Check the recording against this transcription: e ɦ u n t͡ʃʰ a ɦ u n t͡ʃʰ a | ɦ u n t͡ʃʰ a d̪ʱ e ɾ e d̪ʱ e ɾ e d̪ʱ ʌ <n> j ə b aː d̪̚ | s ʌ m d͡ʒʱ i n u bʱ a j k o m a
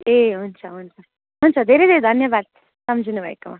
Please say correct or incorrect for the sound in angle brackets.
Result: correct